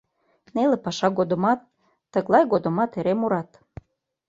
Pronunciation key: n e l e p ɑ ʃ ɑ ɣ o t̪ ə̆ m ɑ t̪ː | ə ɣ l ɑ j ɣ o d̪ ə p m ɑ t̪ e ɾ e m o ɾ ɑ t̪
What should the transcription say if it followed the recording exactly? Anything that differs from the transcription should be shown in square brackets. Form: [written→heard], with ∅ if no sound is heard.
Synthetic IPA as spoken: n e l e p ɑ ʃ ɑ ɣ o [t̪→d̪] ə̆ m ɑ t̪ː | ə ɣ l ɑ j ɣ o d̪ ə [p→∅] m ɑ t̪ e ɾ e m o ɾ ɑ t̪